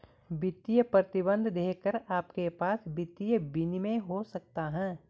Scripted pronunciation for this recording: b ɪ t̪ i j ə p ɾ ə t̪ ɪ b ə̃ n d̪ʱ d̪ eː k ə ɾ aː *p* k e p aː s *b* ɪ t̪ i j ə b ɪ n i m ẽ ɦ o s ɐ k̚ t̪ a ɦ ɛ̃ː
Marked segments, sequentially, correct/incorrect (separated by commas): correct, correct